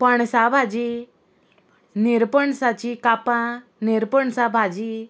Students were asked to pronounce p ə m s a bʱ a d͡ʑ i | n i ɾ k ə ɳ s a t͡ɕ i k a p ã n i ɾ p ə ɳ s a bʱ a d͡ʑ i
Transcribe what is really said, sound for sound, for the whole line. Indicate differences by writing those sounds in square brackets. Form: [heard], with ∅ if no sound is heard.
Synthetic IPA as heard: p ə [ɳ] s a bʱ a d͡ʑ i | n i ɾ [p] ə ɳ s a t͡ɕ i k a p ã n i ɾ p ə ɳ s a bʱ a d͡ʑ i